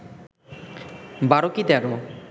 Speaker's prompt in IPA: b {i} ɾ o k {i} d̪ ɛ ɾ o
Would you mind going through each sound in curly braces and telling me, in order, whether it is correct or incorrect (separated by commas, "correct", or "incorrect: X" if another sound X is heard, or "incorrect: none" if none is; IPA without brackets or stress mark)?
incorrect: a, correct